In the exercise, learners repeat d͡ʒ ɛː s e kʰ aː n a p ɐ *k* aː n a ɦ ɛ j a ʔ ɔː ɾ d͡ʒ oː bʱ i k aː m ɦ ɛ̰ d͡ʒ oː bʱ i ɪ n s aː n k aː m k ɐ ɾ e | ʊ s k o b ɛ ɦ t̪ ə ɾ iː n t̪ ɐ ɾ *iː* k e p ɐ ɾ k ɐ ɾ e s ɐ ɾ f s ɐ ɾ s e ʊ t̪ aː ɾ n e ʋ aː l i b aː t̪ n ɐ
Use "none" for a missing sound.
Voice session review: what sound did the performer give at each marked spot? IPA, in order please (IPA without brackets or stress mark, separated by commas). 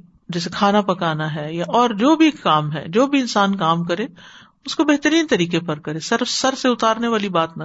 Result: k, iː